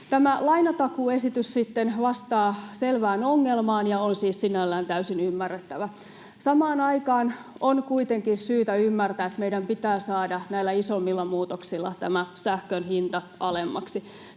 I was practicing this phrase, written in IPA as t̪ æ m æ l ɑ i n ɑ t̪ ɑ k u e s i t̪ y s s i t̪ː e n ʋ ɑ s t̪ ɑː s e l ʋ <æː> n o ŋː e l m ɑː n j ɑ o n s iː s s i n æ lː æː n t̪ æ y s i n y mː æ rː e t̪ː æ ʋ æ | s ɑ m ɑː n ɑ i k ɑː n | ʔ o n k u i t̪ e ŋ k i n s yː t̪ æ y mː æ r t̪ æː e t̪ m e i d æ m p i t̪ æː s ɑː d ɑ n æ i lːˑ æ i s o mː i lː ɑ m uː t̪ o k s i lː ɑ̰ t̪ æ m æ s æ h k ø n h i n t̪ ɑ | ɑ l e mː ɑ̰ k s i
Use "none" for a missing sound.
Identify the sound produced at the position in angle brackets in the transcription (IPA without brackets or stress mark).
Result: æː